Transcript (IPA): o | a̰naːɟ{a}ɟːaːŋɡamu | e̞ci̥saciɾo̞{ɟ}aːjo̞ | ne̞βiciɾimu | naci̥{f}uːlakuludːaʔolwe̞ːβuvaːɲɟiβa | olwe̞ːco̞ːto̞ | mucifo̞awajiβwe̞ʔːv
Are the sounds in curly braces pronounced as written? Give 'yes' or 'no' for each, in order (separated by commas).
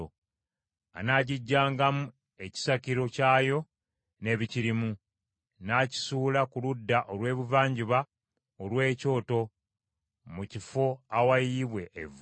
no, no, no